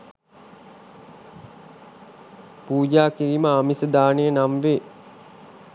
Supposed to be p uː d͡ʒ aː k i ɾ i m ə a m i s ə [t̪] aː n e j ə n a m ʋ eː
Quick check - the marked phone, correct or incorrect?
incorrect